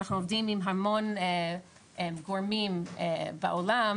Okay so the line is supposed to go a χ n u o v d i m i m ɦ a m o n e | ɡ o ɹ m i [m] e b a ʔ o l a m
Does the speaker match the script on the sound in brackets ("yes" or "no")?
yes